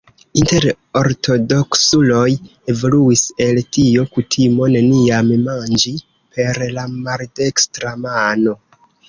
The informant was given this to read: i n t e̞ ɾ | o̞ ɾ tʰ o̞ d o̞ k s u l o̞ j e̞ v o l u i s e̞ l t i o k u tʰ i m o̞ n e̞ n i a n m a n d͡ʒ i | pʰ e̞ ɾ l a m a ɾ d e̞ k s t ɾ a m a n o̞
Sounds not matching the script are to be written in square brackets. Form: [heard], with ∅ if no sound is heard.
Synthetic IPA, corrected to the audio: i n t e̞ ɾ | o̞ ɾ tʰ o̞ d o̞ k s u l o̞ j e̞ v o l u i s e̞ l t i o k u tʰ i m o̞ n e̞ n i a [m] m a n d͡ʒ i | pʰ e̞ ɾ l a m a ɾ d e̞ k s t ɾ a m a n o̞